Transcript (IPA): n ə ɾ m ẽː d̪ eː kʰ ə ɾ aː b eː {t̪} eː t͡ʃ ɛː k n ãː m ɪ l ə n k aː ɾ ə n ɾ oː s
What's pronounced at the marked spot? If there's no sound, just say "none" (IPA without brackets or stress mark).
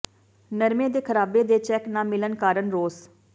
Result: d̪